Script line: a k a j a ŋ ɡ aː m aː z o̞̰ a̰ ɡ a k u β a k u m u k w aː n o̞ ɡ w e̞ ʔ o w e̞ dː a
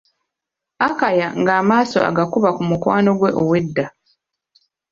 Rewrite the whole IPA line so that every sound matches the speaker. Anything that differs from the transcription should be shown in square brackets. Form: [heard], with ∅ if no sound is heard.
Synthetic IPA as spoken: a k a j a ŋ ɡ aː m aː [s] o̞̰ a̰ ɡ a k u β a k u m u k w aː n o̞ ɡ w e̞ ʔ o w e̞ dː a